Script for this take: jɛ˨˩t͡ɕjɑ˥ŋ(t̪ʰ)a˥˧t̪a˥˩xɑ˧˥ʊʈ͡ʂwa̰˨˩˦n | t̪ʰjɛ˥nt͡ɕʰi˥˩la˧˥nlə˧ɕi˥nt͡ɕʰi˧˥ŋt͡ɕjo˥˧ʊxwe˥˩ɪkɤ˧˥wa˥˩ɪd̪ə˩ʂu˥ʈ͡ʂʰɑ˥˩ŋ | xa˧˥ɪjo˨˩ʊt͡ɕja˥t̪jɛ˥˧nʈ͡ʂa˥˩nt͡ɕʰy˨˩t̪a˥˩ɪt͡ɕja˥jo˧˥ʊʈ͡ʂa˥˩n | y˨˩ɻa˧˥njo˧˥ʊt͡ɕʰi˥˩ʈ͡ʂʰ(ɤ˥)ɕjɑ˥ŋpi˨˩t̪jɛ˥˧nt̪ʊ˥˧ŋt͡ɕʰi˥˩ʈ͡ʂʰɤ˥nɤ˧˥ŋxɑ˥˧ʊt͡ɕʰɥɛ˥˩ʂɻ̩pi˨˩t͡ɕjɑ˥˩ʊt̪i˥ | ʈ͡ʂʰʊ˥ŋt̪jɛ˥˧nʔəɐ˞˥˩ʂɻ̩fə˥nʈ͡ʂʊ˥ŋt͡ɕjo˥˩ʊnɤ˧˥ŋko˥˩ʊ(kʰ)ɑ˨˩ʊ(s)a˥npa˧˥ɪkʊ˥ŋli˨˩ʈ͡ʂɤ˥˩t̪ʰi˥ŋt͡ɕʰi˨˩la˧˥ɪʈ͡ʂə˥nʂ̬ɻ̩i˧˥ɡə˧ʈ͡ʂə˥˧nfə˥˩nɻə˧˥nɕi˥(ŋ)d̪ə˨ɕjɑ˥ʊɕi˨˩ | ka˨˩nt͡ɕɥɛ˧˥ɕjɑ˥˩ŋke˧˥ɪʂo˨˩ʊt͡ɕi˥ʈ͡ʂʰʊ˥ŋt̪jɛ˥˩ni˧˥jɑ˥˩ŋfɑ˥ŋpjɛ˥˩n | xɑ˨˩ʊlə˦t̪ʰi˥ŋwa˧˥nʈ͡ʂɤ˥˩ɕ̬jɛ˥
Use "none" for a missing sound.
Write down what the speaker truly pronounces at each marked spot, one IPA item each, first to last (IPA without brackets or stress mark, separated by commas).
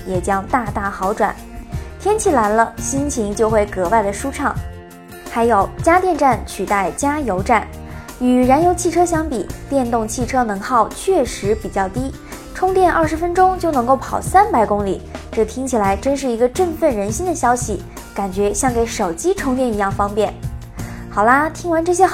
t̪, ɤ˥, pʰ, s, n